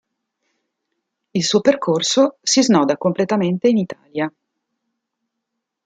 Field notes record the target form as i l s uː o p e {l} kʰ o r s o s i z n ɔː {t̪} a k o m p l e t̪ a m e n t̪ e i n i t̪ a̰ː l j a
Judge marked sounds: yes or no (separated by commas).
no, no